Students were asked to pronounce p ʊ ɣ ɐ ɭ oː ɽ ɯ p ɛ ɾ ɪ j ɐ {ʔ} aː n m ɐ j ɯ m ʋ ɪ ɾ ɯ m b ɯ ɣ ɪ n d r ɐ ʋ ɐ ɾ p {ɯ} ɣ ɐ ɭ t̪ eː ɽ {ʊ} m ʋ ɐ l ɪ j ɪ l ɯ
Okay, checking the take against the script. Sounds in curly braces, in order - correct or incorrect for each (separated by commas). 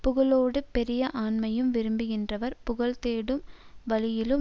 correct, incorrect, incorrect